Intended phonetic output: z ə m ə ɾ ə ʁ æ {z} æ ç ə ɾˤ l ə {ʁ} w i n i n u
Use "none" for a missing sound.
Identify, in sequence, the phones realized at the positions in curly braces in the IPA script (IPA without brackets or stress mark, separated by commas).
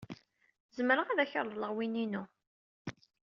ð, ʁ